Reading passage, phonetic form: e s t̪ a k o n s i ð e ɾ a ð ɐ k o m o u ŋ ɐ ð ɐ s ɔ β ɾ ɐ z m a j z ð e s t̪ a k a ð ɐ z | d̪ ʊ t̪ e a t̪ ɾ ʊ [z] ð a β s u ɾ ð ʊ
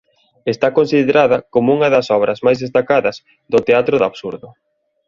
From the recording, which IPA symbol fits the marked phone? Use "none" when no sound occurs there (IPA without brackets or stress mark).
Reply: none